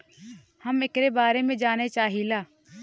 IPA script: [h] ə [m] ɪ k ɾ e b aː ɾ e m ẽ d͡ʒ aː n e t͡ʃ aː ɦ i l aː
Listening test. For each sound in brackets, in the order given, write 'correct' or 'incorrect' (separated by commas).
correct, correct